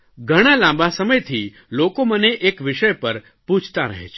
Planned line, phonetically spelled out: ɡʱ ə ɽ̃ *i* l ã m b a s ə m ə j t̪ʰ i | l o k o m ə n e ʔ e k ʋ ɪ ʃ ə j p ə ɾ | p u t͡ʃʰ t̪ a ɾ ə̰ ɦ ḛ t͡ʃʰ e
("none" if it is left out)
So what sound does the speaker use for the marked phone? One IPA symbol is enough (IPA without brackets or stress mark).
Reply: a